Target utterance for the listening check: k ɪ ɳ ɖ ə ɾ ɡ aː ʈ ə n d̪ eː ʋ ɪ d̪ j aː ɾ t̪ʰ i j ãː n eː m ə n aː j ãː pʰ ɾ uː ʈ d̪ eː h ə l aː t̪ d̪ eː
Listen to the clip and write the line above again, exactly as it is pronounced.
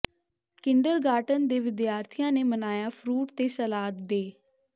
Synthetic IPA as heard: k ɪ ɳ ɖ ə ɾ ɡ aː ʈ ə n d̪ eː ʋ ɪ d̪ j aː ɾ t̪ʰ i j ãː n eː m ə n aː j aː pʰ ɾ uː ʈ t̪ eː s ə l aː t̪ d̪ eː